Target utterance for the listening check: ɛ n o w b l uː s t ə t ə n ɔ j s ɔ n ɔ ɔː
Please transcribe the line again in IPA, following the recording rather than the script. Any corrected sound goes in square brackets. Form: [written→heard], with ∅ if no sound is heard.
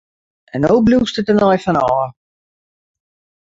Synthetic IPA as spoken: ɛ n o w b l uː s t ə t ə n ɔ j [s→f] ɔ n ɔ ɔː